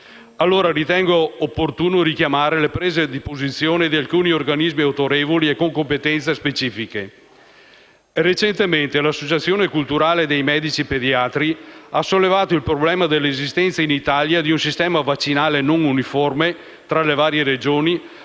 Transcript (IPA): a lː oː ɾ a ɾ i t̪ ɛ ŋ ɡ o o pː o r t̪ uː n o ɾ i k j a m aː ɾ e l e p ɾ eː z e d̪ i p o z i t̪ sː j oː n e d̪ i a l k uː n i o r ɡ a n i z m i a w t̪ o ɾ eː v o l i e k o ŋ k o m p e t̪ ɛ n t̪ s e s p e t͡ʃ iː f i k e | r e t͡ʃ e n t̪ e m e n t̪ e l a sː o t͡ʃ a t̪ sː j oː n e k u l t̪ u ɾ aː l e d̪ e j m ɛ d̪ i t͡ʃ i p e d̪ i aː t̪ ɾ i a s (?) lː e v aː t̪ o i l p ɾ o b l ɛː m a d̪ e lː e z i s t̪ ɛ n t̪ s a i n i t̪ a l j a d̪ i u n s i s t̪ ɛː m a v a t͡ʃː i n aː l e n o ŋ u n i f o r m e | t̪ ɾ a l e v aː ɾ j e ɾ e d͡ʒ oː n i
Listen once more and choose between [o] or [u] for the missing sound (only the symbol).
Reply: o